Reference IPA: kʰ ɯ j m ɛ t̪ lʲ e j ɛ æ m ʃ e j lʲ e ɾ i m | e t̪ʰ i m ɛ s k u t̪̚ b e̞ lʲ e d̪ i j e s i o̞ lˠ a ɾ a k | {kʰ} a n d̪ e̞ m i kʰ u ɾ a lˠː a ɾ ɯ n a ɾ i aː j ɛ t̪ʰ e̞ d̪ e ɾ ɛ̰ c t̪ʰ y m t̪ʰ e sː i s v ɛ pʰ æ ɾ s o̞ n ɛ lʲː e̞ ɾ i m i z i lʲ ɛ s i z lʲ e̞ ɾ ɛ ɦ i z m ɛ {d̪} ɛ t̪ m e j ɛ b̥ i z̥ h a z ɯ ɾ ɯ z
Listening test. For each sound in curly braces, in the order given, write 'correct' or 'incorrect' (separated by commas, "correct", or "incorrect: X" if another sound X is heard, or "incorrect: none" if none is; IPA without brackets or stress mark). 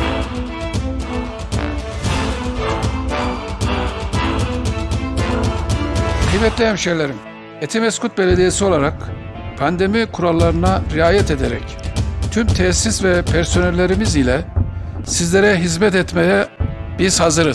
incorrect: pʰ, incorrect: t̪